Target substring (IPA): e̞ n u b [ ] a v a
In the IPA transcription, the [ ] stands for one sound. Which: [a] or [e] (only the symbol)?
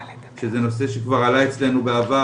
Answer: e